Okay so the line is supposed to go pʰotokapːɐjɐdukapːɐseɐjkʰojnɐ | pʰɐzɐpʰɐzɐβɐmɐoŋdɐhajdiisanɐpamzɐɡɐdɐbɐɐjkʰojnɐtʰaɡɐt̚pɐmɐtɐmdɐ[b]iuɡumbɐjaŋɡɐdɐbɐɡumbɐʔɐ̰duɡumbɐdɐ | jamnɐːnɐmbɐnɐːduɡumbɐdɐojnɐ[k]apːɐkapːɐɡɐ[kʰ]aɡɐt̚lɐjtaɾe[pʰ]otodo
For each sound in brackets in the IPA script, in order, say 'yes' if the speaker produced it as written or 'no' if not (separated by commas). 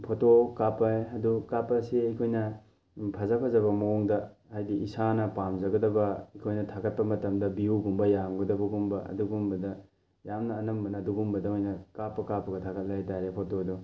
yes, yes, no, yes